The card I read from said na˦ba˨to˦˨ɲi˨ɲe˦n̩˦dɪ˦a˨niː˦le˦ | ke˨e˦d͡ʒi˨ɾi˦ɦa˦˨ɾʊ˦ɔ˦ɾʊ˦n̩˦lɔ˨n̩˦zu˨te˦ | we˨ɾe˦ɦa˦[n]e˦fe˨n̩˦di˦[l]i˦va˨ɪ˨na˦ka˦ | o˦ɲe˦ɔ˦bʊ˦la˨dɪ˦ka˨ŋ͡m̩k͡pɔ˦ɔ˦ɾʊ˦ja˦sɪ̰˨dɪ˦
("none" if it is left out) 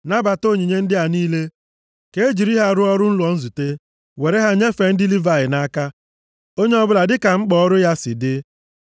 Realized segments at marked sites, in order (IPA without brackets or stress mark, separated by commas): ɲ, l